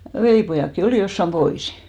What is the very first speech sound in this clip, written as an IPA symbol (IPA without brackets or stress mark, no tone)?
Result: ʋ